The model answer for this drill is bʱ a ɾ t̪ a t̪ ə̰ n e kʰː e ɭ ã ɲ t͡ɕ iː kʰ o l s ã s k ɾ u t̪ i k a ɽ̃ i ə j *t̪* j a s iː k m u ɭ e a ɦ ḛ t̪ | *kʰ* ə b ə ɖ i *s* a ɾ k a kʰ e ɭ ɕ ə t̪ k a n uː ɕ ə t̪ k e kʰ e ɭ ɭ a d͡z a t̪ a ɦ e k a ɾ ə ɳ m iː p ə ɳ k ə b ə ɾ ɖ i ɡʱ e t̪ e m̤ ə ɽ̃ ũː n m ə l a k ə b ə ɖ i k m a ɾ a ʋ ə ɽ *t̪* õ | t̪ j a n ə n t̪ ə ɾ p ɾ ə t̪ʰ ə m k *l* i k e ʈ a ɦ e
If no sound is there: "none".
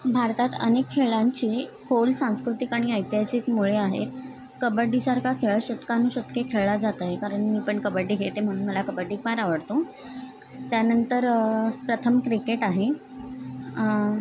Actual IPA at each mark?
t̪, k, s, t̪, ɾ

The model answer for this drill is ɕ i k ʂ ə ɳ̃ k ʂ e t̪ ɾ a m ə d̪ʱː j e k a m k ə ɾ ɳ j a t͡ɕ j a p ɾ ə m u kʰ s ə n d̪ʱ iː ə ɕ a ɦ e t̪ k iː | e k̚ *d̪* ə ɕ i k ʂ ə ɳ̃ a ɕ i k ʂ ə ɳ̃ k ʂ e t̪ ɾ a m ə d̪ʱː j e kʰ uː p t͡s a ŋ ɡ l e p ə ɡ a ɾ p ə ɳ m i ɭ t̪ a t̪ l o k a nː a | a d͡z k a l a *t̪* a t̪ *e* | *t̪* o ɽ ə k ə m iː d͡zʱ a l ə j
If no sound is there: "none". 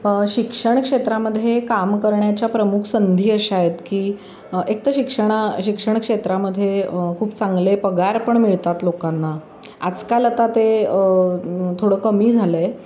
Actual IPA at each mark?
t̪, t̪, e, t̪ʰ

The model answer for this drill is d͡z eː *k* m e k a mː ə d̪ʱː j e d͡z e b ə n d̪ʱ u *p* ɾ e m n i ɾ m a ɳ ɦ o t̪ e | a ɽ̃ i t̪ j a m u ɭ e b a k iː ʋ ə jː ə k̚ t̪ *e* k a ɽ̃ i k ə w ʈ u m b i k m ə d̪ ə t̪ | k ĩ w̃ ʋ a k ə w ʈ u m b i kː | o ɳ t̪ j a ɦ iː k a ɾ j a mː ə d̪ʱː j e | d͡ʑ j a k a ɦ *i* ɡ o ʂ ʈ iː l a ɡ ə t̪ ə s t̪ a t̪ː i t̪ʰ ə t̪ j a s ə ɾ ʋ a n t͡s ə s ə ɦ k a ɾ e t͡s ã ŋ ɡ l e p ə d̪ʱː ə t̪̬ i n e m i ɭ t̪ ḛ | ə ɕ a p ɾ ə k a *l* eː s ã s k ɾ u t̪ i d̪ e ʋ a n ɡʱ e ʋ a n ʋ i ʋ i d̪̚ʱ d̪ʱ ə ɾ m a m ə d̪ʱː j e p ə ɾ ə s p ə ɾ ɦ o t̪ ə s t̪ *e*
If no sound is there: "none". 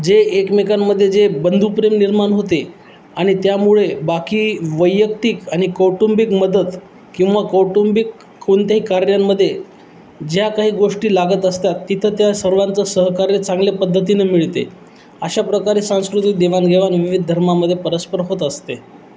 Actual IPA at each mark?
k, p, i, iː, ɾ, e

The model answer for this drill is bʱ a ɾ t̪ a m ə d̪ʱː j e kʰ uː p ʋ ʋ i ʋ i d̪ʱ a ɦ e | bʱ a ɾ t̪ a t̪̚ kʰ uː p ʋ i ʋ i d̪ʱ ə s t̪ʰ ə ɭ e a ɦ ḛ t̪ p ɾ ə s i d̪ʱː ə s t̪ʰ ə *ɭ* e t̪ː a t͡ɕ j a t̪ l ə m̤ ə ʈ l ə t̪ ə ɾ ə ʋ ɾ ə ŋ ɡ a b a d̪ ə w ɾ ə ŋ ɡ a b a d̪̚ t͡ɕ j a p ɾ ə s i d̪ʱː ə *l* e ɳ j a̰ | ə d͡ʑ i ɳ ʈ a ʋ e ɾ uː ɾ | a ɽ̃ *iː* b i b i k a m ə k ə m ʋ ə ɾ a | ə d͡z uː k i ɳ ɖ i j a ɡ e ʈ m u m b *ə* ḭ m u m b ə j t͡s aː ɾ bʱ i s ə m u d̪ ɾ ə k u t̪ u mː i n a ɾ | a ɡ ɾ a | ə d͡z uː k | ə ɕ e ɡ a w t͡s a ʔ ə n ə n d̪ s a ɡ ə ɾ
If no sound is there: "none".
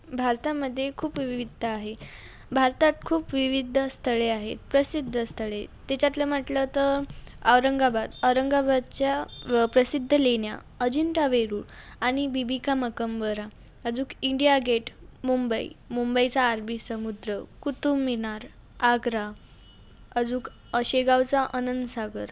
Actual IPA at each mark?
ɭ, l, i, ə

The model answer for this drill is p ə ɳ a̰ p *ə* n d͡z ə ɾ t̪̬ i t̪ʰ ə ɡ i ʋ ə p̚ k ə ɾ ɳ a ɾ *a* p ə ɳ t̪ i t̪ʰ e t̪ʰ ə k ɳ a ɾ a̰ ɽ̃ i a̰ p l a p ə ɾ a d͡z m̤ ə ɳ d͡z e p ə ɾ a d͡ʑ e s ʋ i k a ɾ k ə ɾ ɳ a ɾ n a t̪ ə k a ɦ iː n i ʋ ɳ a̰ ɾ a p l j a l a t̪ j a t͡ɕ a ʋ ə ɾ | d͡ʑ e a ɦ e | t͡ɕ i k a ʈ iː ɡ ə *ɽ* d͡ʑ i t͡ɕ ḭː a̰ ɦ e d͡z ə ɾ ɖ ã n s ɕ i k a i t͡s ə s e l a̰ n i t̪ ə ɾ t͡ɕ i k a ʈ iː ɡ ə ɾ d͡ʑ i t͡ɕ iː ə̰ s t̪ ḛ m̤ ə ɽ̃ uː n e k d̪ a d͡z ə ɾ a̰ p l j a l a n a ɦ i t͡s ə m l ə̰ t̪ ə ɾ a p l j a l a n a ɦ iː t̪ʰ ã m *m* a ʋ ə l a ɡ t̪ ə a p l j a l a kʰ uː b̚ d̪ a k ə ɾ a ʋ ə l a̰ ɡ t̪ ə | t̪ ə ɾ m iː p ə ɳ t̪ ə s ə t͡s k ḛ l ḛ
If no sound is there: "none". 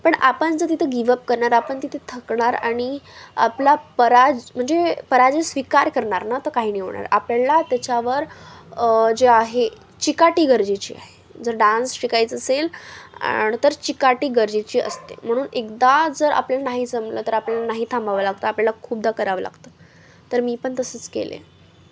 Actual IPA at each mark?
ə, a, ɾ, b

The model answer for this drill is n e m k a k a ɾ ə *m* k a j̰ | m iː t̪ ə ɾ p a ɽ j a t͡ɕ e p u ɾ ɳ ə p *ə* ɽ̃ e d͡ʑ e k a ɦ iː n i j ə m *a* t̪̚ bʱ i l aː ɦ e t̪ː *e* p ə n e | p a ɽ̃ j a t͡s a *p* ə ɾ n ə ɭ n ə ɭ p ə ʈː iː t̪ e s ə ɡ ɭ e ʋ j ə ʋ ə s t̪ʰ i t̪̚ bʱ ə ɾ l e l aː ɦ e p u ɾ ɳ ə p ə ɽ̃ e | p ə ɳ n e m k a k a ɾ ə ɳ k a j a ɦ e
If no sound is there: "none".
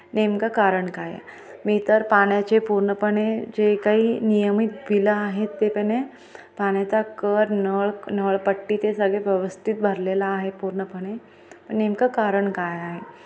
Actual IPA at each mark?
ɳ, ə, i, e, k

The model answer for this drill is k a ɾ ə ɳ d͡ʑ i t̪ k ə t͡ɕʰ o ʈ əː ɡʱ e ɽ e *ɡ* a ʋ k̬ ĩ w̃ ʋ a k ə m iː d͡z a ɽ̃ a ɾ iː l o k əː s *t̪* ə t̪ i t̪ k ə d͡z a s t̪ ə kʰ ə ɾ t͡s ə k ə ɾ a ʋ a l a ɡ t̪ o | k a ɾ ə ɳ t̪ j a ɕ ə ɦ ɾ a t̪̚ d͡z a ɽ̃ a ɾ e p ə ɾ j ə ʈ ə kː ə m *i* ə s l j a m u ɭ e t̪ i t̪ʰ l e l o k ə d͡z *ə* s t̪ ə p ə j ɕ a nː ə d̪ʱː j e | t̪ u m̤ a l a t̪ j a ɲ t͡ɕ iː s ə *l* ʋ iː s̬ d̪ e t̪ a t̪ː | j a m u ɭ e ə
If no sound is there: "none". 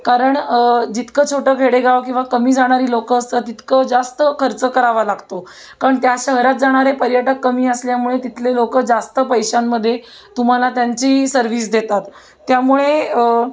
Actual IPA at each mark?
ɡ, t̪, iː, a, ɾ

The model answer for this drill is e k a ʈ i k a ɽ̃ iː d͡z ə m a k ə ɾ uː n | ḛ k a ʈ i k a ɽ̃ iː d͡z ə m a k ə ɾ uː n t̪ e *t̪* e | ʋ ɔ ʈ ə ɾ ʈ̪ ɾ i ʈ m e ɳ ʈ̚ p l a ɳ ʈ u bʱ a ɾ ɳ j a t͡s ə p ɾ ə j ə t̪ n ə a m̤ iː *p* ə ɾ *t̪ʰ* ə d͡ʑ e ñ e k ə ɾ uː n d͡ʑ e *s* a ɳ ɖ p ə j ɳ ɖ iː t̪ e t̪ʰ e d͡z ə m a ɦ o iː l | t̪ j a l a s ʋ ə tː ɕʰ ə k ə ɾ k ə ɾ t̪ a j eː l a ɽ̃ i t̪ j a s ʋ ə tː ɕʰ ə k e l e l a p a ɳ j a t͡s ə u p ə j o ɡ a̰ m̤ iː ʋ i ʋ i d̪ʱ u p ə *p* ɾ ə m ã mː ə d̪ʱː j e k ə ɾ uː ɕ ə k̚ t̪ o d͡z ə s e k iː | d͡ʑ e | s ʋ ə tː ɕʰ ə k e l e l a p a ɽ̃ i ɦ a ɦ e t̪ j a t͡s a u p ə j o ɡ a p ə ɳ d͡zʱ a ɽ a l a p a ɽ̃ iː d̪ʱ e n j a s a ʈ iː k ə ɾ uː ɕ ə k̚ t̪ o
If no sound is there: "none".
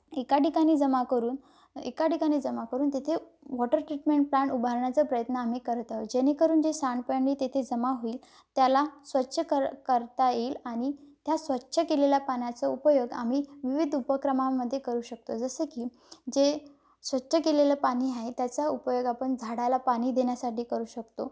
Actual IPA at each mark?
t̪ʰ, k, t̪, s, k

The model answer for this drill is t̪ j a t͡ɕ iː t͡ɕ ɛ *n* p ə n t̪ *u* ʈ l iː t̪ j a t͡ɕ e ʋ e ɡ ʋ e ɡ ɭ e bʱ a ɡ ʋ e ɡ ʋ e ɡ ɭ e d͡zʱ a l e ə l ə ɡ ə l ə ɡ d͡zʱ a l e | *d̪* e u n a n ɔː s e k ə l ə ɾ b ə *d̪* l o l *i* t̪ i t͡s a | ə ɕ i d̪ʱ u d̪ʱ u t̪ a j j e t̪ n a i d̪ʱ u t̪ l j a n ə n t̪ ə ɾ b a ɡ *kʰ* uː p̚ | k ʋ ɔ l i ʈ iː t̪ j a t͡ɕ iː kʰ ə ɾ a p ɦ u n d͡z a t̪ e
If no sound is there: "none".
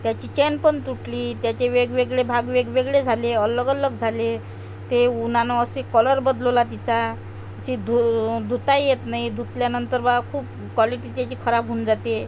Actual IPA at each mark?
n, u, t̪, d̪, a, kʰ

